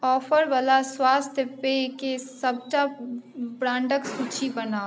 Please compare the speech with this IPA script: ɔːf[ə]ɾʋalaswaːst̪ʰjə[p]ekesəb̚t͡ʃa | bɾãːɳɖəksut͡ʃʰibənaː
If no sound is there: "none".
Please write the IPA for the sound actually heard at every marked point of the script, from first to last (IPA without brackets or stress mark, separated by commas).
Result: ə, p